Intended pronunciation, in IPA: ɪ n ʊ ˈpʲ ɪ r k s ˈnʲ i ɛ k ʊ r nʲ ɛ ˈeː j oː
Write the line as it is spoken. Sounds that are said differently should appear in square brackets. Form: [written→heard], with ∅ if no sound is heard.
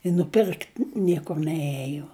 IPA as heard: ɪ n ʊ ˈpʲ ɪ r k [s→t] ˈnʲ i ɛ k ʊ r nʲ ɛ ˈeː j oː